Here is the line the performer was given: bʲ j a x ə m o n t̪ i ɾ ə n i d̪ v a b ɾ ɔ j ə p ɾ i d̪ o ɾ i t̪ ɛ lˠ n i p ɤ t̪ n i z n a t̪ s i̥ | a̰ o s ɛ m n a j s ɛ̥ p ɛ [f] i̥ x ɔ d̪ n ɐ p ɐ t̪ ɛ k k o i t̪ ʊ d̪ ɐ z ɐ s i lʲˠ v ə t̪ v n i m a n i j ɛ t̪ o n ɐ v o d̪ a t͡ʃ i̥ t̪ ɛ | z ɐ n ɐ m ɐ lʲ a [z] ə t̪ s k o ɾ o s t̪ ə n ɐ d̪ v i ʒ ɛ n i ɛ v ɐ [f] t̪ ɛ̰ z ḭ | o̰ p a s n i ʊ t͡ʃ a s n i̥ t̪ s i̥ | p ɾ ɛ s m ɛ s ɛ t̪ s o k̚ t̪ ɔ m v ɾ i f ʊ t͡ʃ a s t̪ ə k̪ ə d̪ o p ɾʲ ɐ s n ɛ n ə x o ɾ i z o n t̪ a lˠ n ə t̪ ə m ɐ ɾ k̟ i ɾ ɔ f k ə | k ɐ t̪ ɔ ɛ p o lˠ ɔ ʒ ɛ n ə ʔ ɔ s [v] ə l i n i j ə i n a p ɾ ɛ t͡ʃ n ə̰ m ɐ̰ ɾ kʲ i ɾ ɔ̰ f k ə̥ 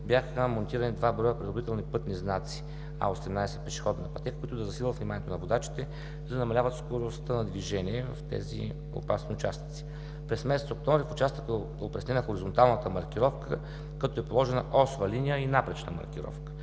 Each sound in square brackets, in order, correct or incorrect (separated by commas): incorrect, incorrect, correct, correct